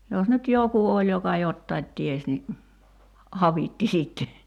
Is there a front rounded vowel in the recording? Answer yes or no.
yes